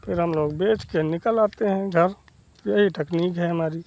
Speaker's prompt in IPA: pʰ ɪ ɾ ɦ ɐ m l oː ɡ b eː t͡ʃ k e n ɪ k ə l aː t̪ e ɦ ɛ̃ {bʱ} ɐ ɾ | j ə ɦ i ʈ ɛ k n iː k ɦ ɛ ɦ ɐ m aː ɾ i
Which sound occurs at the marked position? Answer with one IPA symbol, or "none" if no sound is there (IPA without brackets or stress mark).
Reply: ɡʱ